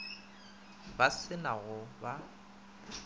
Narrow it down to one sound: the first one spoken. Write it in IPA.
b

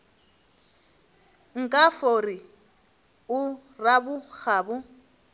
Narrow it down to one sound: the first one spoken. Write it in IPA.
ŋ̩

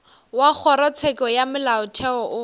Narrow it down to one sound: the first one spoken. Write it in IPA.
w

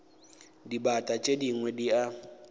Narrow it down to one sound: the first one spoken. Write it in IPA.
d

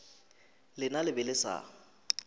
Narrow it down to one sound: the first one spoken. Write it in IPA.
l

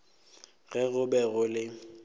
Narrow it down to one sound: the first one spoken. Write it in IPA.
ɣ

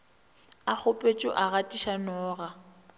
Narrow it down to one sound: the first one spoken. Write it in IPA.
a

